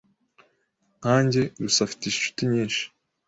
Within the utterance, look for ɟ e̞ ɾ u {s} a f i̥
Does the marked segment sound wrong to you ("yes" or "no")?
no